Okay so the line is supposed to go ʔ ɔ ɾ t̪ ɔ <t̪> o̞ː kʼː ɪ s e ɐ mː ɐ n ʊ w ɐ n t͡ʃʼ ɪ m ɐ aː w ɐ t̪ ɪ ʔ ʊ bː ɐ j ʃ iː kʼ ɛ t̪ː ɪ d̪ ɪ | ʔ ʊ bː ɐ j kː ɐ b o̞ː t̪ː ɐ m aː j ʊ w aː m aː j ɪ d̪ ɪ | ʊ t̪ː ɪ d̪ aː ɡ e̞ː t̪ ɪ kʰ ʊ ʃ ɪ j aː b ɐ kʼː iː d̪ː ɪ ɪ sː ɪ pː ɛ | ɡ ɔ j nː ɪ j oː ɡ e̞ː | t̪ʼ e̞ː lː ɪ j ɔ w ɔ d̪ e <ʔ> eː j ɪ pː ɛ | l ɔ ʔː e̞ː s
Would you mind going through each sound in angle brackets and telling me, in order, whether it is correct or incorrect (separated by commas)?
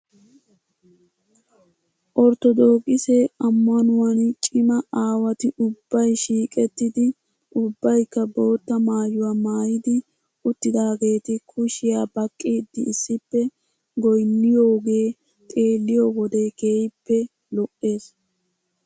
incorrect, incorrect